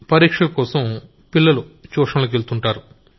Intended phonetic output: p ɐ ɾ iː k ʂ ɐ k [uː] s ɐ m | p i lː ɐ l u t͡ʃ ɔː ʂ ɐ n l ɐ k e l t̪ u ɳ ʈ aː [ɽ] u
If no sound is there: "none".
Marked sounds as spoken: ɔː, ɾ

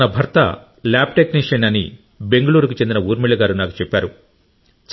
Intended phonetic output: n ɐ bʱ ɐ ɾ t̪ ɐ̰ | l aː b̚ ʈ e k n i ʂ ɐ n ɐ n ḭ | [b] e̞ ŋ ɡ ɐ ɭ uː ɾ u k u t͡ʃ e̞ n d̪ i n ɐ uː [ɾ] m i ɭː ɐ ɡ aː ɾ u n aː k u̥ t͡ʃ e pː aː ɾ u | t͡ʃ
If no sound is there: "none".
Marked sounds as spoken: b, ɾ

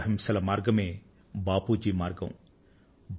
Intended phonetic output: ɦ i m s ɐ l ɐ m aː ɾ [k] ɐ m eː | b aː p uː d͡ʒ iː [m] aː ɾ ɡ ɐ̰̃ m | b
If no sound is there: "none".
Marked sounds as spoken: ɡ, m

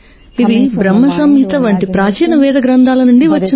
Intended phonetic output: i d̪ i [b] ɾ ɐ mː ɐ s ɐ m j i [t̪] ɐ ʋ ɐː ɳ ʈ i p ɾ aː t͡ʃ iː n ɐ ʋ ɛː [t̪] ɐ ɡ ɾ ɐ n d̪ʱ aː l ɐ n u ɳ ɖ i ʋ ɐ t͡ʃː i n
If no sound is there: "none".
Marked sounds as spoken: b, t̪, d̪

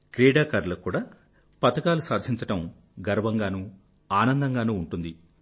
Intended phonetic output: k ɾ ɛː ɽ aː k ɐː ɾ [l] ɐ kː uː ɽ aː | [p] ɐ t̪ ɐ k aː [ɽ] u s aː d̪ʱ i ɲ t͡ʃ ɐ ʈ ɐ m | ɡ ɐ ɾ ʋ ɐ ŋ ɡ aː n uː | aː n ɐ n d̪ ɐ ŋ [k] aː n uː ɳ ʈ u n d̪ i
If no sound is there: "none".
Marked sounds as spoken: l, p, l, ɡ

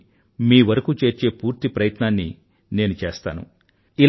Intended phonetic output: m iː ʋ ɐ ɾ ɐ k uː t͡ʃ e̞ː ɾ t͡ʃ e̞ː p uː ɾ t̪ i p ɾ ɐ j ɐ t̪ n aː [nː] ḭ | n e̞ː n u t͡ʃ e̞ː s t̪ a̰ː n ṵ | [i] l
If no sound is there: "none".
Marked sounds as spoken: nː, i

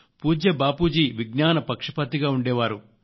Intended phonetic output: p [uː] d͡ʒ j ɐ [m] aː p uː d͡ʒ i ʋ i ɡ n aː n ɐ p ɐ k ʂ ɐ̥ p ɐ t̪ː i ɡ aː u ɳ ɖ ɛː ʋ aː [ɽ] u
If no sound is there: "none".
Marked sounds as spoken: uː, b, ɾ

